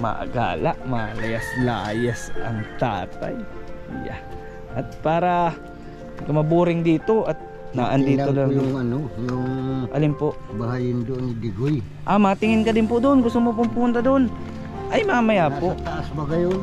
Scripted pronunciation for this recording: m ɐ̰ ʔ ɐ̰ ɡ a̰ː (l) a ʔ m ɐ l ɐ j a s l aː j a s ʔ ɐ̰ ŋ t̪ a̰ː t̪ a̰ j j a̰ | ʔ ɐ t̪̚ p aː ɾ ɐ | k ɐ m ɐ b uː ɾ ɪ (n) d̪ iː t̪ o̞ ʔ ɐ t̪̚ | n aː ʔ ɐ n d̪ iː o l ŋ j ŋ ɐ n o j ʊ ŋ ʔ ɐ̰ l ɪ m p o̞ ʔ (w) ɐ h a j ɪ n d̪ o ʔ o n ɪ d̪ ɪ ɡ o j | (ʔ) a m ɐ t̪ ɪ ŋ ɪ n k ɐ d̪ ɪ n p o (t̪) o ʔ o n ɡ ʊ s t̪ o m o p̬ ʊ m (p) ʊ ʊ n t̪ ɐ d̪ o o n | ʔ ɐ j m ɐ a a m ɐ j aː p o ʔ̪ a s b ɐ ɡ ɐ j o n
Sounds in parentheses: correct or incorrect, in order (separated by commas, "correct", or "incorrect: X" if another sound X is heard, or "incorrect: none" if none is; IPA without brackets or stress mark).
correct, incorrect: ŋ, incorrect: b, correct, incorrect: d̪, correct